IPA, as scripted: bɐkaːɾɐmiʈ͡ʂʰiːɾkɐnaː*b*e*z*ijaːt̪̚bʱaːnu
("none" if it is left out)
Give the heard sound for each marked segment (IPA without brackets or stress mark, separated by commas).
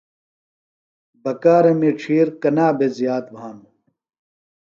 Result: b, z